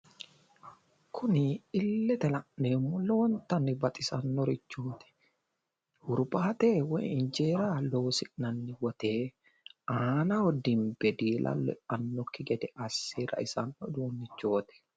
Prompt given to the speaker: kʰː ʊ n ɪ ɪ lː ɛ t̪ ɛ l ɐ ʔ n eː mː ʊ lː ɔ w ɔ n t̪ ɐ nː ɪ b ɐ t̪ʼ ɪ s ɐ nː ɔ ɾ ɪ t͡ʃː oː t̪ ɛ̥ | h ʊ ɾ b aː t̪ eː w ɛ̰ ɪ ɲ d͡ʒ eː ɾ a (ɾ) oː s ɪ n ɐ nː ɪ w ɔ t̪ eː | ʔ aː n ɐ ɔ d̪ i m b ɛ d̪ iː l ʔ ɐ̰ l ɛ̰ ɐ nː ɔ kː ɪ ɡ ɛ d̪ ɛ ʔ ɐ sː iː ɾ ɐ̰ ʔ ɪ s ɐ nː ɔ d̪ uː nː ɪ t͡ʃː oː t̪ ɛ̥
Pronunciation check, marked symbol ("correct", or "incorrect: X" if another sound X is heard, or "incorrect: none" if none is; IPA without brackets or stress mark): incorrect: l